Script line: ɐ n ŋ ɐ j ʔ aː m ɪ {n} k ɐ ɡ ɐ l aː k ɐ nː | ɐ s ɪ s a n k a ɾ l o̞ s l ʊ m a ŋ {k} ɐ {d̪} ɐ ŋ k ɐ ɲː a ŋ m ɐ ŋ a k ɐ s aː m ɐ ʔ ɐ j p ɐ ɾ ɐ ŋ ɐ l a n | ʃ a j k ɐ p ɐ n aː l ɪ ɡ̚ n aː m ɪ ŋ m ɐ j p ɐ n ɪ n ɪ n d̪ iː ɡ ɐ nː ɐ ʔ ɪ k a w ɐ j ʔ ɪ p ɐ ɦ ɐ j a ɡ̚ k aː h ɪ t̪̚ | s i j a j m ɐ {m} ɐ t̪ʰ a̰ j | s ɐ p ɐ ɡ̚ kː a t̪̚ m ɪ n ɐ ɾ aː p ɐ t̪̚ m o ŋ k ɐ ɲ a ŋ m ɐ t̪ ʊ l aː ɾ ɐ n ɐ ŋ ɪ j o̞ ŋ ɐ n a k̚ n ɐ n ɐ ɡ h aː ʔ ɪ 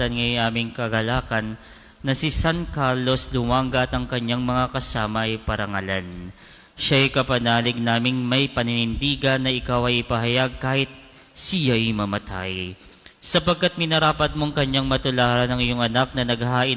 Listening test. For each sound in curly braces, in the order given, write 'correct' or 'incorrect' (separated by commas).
incorrect, incorrect, incorrect, correct